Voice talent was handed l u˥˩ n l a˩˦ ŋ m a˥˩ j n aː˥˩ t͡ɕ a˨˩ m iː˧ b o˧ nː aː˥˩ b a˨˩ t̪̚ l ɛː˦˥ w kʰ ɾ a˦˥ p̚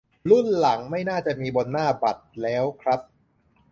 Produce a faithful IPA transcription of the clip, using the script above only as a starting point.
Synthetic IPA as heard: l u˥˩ n l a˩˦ ŋ m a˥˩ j n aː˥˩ t͡ɕ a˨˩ m iː˧ b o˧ nː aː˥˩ b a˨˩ t̪̚ l ɛː˦˥ w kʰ ɾ a˦˥ p̚